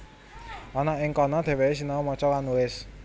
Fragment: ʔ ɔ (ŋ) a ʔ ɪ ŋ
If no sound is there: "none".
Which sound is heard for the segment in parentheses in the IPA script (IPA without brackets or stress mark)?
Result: n